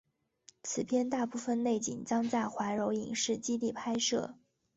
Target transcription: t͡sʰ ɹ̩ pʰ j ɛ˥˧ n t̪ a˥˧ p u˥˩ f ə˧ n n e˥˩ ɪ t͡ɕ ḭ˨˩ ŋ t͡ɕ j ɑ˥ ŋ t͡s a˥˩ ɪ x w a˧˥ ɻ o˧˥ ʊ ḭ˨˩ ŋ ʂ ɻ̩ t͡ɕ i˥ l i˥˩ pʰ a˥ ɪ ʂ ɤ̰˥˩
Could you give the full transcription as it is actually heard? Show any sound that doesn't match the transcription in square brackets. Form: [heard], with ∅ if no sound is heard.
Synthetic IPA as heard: t͡sʰ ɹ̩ pʰ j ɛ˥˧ n t̪ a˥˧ p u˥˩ f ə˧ n n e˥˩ ɪ t͡ɕ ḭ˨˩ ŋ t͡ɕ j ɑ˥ ŋ t͡s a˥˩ ɪ x w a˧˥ ɻ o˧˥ ʊ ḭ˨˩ ŋ ʂ ɻ̩ t͡ɕ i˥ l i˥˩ pʰ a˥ ɪ ʂ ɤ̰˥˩